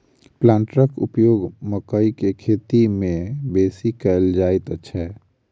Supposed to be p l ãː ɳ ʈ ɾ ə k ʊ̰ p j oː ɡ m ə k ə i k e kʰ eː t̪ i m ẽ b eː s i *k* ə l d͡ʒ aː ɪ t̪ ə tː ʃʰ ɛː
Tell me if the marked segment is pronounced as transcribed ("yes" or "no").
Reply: yes